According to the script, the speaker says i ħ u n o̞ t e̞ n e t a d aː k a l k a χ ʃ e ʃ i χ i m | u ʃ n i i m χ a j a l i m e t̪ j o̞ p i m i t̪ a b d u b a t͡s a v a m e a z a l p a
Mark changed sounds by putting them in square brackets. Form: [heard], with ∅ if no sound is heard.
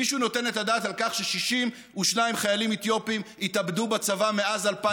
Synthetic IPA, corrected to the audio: i [ʃ] u n o̞ t e̞ n e t a d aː [t] a l k a χ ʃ e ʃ i [ʃ] i m | u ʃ n [a] i m χ a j a l i m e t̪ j o̞ p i m i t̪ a b d u b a t͡s a v a m e a z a l p a